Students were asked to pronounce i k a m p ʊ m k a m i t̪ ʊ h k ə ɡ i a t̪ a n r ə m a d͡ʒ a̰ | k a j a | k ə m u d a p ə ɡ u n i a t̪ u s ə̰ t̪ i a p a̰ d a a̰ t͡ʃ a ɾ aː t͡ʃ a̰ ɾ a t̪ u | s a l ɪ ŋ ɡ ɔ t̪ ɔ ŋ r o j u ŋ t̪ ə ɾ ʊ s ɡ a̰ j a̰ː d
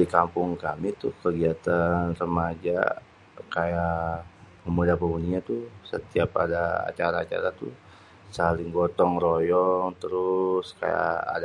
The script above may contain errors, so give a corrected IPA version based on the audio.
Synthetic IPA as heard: i k a m p ʊ ŋ k a m i t̪ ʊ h k ə ɡ i a t̪ a n r ə m a d͡ʒ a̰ | k a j a | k ə m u d a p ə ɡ u n i a t̪ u s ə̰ t̪ i a p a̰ d a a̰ t͡ʃ a ɾ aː t͡ʃ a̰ ɾ a t̪ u | s a l ɪ ŋ ɡ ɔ t̪ ɔ ŋ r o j ɔ ŋ t̪ ə ɾ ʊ s k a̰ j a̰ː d